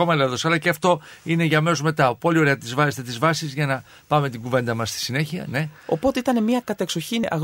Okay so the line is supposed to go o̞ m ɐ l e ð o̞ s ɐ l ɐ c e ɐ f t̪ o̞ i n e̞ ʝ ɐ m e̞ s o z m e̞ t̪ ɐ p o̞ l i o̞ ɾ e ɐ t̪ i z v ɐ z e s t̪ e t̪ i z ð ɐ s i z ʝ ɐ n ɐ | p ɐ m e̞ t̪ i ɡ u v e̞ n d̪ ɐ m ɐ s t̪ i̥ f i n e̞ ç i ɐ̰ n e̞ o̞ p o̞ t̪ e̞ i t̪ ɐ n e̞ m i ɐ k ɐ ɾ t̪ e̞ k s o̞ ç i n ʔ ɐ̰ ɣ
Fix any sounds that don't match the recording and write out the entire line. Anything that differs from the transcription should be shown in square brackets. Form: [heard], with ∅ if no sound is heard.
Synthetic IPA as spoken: o̞ m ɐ l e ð o̞ s ɐ l ɐ c e ɐ f t̪ o̞ i n e̞ ʝ ɐ m e̞ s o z m e̞ t̪ ɐ p o̞ l i o̞ ɾ e ɐ t̪ i z v ɐ z e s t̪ e t̪ i z [v] ɐ s i z ʝ ɐ n ɐ | p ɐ m e̞ t̪ i ɡ u v e̞ n d̪ ɐ m ɐ s t̪ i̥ [s] i n e̞ ç i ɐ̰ n e̞ o̞ p o̞ t̪ e̞ i t̪ ɐ n e̞ m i ɐ k ɐ [∅] t̪ e̞ k s o̞ ç i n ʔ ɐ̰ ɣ